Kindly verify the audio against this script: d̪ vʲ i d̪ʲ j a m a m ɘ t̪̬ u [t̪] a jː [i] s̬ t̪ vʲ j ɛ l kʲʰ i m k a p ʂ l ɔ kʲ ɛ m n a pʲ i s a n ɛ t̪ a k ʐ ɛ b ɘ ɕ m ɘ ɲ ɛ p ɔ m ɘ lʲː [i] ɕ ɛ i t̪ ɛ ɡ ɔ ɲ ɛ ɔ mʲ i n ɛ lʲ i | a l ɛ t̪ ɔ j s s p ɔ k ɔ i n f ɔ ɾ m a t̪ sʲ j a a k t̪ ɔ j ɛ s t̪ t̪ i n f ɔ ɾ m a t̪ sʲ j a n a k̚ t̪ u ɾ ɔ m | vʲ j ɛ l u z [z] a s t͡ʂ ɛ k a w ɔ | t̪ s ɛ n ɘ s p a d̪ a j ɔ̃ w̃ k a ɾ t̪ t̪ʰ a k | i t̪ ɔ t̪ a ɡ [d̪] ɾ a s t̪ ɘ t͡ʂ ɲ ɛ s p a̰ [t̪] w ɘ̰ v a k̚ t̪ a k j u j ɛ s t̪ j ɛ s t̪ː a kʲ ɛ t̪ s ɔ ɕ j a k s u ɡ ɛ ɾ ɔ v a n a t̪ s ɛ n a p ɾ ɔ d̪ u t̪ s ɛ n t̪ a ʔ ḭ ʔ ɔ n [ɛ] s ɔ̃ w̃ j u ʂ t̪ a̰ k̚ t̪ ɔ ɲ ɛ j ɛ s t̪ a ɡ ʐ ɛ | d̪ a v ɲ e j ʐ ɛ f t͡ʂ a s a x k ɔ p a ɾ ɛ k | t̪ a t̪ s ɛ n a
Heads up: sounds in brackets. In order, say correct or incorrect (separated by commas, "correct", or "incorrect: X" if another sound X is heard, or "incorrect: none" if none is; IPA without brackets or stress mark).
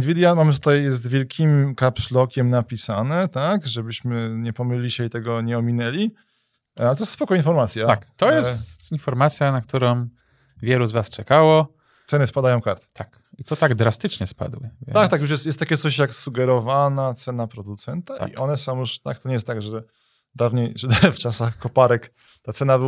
correct, incorrect: ɛ, correct, incorrect: v, correct, incorrect: d̪, correct